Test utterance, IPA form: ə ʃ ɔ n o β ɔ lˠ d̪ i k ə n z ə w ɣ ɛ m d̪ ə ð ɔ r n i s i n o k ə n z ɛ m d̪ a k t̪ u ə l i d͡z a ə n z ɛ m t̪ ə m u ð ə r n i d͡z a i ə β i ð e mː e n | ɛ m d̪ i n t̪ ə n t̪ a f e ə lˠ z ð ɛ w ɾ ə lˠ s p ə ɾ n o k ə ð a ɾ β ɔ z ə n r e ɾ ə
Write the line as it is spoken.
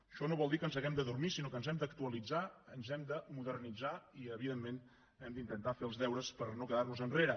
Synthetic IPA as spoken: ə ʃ ɔ n o β ɔ lˠ d̪ i k ə n z ə ɣ ɛ m d̪ ə ð u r m i s i n o k ə n z ɛ m d̪ ə k t̪ u ə l i d͡z a ə n z ɛ m d̪ ə m u ð ə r n i d͡z a i ə β i ð e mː e n | ɛ m d̪ i n t̪ ə n t̪ a f e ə lˠ z ð ɛ w ɾ ə s p ə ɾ n o k ə ð a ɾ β u z ə n r e ɾ ə